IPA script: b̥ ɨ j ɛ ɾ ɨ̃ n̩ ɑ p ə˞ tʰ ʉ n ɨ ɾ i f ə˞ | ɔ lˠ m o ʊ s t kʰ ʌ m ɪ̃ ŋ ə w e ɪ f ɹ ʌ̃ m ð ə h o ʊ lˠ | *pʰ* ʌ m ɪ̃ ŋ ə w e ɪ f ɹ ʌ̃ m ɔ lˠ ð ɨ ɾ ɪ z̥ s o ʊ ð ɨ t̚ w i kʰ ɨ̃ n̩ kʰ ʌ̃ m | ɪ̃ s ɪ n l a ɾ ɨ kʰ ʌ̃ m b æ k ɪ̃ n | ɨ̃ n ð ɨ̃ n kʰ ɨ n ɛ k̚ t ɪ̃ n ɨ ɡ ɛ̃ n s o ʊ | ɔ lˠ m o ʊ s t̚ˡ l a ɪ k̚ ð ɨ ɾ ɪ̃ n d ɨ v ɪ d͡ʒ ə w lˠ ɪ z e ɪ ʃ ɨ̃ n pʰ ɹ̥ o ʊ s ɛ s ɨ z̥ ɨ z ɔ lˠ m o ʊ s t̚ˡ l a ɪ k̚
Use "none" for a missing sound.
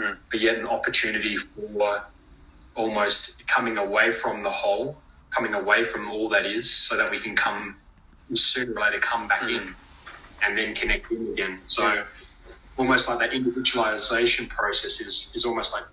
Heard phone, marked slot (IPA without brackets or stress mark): kʰ